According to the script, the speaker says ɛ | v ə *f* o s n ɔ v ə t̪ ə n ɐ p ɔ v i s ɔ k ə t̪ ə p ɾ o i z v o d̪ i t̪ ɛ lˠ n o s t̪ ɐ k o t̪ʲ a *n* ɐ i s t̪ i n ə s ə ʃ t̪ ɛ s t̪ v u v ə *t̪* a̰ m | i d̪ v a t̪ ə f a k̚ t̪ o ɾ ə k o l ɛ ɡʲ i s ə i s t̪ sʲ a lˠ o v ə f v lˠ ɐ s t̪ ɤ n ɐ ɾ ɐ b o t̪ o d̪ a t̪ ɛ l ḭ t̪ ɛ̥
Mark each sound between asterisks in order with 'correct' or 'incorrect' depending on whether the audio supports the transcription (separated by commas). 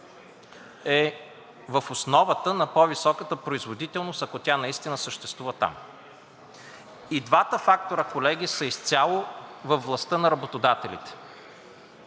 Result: correct, correct, correct